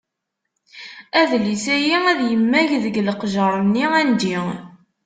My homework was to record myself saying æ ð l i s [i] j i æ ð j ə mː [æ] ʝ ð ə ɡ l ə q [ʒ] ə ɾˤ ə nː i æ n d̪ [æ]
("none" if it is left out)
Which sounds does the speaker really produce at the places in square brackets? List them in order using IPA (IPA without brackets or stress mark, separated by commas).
æ, æ, ʒ, i